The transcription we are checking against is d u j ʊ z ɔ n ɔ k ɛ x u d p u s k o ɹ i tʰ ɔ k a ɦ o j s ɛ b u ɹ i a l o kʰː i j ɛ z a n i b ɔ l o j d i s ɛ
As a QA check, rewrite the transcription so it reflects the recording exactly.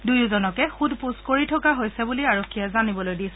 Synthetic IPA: d u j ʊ z ɔ n ɔ k ɛ x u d p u s k o ɹ i tʰ ɔ k a ɦ o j s ɛ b u l i a ɹ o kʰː i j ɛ z a n i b ɔ l o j d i s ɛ